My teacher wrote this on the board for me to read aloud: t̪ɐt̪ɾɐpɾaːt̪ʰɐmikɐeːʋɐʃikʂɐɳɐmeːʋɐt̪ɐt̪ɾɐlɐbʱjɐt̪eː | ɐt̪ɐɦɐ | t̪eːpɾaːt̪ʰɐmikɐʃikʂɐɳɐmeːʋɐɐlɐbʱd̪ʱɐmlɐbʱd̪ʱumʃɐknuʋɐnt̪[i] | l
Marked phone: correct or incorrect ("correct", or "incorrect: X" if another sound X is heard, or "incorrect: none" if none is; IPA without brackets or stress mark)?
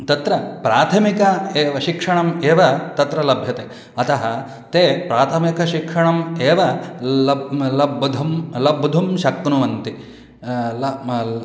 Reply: correct